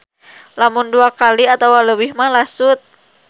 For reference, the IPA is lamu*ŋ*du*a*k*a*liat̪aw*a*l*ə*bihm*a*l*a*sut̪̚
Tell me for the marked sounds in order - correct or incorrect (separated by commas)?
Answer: incorrect, correct, correct, correct, correct, correct, correct